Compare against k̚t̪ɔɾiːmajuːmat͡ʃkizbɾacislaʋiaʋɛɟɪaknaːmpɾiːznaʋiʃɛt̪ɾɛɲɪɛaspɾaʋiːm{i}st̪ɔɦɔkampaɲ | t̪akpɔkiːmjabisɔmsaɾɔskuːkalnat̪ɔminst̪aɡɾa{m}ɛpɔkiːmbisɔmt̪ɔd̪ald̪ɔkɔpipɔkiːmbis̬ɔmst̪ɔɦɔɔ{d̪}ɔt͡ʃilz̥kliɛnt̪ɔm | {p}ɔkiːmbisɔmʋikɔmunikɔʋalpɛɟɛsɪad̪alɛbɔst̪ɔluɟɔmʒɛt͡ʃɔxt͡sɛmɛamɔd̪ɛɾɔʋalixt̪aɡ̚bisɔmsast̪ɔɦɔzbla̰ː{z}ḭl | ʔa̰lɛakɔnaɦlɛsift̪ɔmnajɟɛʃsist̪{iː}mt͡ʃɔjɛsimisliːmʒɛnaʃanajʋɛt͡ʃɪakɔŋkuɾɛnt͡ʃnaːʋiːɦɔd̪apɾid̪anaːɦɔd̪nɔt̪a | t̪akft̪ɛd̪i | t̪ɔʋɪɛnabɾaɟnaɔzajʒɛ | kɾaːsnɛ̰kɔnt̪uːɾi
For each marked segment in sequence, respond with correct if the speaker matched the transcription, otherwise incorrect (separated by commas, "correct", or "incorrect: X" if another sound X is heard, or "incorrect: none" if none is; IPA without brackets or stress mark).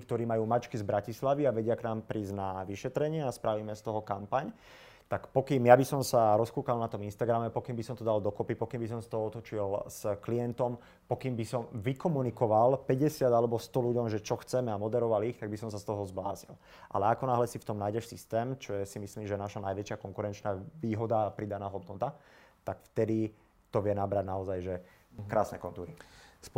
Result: incorrect: ɛ, correct, incorrect: t̪, correct, correct, incorrect: ɛː